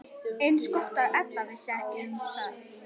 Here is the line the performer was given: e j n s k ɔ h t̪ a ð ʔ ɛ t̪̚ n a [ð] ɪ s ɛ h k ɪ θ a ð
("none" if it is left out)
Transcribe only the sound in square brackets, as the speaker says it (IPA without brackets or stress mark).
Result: v